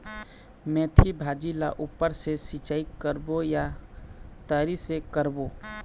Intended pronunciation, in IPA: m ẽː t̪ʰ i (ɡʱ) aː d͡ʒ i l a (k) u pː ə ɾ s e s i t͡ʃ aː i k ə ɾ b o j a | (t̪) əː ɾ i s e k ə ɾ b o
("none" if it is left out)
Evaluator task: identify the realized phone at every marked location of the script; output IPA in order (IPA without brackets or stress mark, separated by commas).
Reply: bʱ, ʔ, t̪